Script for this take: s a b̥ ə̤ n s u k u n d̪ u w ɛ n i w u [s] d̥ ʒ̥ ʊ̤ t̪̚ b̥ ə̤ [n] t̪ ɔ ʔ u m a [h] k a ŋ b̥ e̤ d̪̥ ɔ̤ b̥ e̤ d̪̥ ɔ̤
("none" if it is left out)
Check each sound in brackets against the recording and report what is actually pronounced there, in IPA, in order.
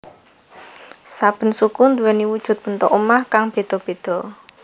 none, n, h

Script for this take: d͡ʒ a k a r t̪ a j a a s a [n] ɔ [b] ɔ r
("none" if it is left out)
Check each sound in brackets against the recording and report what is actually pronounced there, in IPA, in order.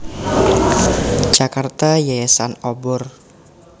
n, b

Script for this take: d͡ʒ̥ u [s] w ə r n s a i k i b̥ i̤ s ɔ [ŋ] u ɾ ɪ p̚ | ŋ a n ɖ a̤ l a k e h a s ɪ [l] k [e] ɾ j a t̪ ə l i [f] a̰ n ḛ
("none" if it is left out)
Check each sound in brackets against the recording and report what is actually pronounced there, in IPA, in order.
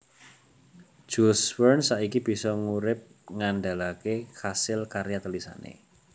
s, ŋ, l, a, s

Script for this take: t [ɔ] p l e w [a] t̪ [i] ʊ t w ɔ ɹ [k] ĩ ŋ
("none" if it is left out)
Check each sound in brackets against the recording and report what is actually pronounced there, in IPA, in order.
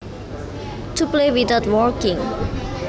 u, i, a, k

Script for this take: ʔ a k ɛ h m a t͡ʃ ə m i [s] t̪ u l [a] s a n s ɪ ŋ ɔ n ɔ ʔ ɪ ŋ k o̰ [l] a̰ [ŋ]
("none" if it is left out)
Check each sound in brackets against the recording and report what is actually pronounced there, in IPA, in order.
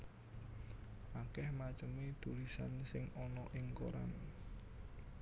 none, i, ɾ, n

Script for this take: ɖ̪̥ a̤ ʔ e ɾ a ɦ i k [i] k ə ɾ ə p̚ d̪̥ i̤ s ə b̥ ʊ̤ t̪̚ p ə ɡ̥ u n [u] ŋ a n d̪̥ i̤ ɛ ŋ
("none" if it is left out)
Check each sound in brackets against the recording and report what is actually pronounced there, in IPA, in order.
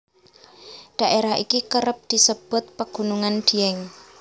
i, u

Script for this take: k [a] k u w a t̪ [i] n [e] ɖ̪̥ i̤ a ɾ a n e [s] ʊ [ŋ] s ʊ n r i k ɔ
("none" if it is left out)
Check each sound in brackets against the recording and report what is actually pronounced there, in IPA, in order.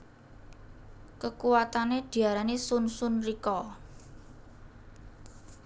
ə, a, e, s, n

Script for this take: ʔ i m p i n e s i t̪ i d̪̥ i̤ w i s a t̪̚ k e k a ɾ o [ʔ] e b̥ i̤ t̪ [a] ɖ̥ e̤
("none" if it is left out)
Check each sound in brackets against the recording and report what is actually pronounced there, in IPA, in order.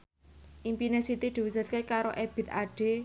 ʔ, a

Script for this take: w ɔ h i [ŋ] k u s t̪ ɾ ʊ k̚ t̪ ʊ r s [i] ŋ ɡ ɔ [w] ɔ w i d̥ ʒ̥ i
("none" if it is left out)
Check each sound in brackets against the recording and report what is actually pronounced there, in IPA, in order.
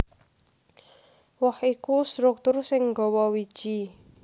none, ɪ, w

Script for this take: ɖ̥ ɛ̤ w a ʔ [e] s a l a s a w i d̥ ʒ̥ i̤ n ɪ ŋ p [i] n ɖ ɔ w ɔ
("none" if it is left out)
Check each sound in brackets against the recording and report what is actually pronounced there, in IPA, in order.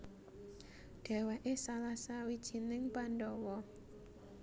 e, a

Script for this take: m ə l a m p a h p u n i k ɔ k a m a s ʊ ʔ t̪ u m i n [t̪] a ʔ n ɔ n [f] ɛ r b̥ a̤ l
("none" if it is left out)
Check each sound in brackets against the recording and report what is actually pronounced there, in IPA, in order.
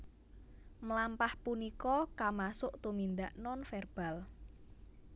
d̪, f

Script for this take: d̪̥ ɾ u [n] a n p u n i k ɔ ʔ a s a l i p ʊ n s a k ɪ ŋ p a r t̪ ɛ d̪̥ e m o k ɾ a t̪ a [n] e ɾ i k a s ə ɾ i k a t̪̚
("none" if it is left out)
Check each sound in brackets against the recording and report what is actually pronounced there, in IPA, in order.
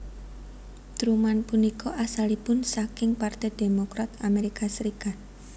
m, m

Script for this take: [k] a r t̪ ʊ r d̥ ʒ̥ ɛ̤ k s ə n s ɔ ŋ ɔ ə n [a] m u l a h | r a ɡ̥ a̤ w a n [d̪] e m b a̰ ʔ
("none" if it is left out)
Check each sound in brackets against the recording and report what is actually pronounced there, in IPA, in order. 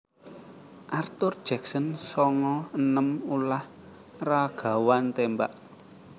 ʔ, ə, t̪

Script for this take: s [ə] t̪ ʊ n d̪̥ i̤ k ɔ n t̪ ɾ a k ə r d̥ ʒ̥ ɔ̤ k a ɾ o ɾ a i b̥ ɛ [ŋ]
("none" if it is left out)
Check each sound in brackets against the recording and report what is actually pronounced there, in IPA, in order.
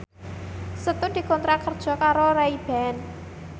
ə, n

